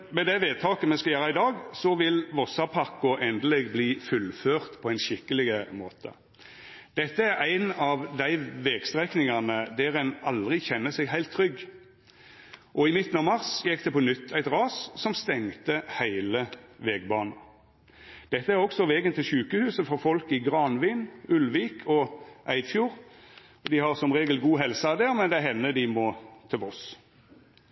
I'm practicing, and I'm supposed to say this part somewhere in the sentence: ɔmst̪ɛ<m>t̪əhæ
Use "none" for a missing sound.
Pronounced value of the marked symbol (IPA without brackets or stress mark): ŋ